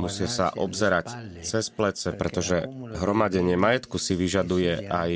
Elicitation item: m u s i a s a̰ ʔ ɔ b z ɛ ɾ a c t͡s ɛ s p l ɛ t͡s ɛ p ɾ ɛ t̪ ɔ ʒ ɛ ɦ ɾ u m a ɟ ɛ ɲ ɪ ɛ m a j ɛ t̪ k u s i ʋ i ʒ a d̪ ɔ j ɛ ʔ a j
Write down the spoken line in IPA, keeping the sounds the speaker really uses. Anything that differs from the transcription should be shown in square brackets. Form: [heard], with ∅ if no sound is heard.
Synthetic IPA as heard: m u s [ɪ] a s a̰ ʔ ɔ b z ɛ ɾ a c t͡s ɛ s p l ɛ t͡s ɛ p ɾ ɛ t̪ ɔ ʒ ɛ ɦ ɾ [ɔ] m a ɟ ɛ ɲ ɪ ɛ m a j ɛ t̪ k u s i ʋ i ʒ a d̪ [u] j ɛ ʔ a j